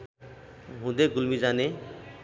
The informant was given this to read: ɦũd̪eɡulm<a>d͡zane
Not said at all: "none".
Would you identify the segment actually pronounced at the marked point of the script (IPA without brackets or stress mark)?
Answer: i